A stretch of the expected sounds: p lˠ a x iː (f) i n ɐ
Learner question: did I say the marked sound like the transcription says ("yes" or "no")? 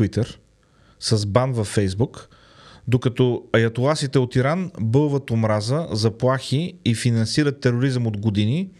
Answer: yes